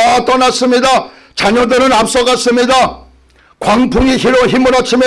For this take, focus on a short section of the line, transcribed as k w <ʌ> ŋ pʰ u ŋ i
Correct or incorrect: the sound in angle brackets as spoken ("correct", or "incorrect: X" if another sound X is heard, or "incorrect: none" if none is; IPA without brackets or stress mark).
incorrect: a